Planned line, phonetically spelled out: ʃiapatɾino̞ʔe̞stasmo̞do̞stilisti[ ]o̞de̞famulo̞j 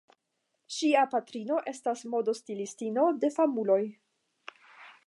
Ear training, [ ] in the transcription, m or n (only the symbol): n